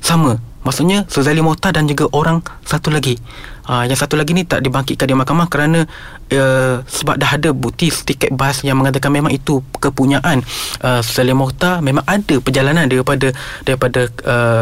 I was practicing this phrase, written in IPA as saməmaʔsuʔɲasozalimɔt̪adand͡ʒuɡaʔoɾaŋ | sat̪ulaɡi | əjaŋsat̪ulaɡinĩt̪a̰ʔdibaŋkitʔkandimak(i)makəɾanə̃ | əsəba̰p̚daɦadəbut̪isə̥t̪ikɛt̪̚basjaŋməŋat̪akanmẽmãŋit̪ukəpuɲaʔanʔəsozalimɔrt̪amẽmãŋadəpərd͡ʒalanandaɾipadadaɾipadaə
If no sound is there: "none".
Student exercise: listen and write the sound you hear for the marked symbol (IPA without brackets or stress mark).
a